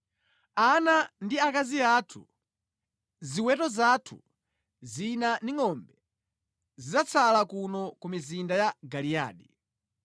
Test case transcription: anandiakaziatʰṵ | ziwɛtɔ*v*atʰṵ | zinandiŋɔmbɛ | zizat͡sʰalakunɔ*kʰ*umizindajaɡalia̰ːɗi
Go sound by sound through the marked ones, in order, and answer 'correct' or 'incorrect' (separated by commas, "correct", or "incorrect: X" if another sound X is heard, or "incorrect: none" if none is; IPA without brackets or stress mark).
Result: incorrect: z, incorrect: k